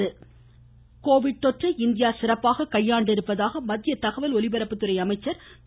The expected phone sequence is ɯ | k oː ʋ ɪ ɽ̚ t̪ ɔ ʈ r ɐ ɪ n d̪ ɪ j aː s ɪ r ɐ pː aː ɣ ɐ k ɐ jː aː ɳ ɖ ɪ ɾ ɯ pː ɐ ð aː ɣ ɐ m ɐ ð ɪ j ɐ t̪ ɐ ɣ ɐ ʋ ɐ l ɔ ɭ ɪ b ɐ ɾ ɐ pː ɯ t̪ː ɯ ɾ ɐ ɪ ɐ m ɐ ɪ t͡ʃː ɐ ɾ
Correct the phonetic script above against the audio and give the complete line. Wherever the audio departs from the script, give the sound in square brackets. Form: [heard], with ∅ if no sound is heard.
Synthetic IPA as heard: ɯ | k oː ʋ ɪ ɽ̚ t̪ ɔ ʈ r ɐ ɪ n d̪ ɪ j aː s ɪ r ɐ pː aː ɣ ɐ k ɐ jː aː ɳ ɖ ɪ ɾ ɯ pː ɐ ð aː ɣ ɐ m ɐ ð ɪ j ɐ t̪ ɐ ɣ ɐ ʋ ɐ l ɔ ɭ ɪ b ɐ ɾ ɐ pː ɯ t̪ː ɯ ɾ ɐ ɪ ɐ m ɐ ɪ t͡ʃː ɐ ɾ